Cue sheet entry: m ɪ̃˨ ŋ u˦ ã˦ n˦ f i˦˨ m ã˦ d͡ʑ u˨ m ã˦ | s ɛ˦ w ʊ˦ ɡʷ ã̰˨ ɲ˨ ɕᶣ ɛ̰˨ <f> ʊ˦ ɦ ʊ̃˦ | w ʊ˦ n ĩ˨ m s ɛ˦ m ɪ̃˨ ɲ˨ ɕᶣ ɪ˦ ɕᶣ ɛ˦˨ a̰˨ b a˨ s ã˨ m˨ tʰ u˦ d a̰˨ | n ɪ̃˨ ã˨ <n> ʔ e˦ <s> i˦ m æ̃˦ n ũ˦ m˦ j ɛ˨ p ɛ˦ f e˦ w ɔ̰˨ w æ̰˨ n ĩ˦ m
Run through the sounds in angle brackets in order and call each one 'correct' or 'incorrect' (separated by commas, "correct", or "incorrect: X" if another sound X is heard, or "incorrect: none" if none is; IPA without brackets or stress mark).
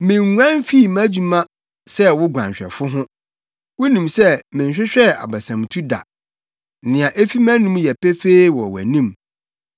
correct, incorrect: none, incorrect: f